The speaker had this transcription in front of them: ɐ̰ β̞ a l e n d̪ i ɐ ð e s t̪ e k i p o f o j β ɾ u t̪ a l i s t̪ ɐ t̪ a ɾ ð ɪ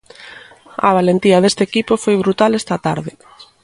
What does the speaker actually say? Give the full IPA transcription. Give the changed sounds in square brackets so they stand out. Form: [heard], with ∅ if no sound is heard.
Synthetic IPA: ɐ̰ β̞ a l e n [t̪] i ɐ ð e s t̪ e k i p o f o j β ɾ u t̪ a l [e] s t̪ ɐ t̪ a ɾ ð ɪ